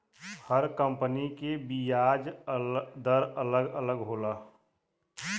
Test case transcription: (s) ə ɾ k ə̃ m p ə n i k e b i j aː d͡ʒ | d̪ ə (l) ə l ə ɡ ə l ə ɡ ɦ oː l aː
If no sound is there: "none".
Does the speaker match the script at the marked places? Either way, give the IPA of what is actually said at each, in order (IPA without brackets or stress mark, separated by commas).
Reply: h, ɾ